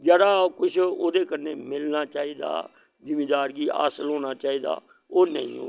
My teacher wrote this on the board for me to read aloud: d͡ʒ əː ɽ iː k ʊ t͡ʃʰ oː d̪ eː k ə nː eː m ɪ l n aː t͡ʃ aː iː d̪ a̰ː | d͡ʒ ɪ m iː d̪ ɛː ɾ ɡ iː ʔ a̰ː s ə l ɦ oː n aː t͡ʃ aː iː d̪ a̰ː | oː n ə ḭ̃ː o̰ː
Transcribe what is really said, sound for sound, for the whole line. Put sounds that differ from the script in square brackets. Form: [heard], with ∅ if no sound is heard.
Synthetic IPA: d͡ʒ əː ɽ [aː] k ʊ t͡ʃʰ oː d̪ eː k ə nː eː m ɪ l n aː t͡ʃ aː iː d̪ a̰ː | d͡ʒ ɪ m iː d̪ [aː] ɾ ɡ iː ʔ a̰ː s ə l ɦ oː n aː t͡ʃ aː iː d̪ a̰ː | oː n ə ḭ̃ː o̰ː